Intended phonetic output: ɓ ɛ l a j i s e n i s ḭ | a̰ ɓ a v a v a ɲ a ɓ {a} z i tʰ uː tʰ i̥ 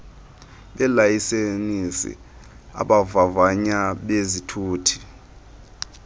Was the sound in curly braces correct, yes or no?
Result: no